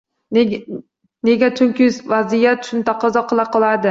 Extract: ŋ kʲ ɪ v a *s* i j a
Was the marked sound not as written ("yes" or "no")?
yes